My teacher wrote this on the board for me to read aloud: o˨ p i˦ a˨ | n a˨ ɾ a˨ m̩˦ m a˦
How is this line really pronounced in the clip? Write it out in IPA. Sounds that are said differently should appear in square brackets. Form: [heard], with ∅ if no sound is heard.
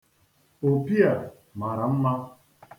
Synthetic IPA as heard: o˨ p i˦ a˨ | [m] a˨ ɾ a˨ m̩˦ m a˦